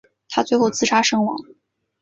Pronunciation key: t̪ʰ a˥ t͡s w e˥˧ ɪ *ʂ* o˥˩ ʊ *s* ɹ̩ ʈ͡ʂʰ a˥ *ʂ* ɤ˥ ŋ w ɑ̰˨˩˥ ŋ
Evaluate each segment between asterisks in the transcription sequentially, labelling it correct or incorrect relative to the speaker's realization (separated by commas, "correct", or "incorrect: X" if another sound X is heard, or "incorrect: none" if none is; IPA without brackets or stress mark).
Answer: incorrect: x, incorrect: t͡s, correct